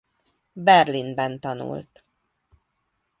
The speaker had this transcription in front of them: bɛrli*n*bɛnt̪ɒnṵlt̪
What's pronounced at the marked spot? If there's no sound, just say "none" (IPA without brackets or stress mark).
n